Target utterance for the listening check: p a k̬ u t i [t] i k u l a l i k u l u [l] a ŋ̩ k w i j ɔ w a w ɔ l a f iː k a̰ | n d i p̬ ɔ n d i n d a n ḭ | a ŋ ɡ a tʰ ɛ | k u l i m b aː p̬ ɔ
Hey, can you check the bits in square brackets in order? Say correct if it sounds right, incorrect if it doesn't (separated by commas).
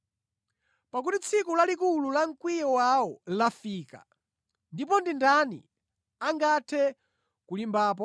incorrect, correct